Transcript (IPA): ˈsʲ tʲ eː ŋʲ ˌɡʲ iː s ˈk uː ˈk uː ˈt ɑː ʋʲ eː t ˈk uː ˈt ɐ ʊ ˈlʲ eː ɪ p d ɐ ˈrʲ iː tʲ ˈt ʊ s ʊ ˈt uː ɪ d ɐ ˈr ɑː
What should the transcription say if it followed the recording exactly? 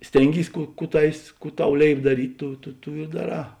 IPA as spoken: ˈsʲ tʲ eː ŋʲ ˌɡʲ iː s ˈk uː ˈk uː ˈt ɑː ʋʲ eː s ˈk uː ˈt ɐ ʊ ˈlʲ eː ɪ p d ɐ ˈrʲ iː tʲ ˈt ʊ t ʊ ˈt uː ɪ d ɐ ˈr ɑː